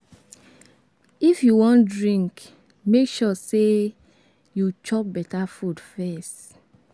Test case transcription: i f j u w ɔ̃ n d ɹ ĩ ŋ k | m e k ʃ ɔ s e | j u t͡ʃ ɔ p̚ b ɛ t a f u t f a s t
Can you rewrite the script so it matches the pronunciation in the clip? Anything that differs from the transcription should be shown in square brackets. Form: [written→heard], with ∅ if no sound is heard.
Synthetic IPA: i f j u w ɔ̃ n d ɹ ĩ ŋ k | m e k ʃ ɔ s e | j u t͡ʃ ɔ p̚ b ɛ t a f u [t→d] f [a→ɛ] s t